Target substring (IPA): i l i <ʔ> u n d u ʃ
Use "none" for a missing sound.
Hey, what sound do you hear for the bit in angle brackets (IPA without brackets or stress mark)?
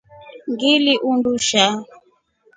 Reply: ʔ